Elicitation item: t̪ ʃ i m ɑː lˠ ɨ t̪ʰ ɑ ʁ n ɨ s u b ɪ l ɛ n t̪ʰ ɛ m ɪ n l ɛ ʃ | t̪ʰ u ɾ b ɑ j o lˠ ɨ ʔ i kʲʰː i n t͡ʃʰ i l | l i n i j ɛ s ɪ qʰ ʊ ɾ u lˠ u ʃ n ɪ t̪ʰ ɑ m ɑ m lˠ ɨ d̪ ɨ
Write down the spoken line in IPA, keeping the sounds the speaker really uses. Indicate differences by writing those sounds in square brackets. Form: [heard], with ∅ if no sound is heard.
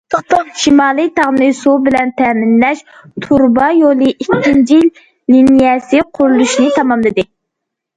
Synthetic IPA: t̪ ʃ i m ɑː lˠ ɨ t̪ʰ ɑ ʁ n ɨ s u b ɪ l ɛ n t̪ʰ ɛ m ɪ n l ɛ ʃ | t̪ʰ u ɾ b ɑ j o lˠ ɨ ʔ i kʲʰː i n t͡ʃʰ i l | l i n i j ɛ s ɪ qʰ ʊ ɾ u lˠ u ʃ n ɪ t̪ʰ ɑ m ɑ m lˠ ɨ d̪ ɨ